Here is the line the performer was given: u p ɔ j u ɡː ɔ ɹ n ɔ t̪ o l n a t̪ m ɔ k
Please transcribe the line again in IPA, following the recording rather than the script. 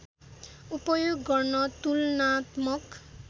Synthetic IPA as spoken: u p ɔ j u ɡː ɔ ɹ n ɔ t̪ u l n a t̪ m ɔ k